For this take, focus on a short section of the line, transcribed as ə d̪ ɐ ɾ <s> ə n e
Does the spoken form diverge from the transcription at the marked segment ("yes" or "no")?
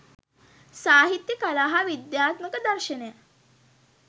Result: yes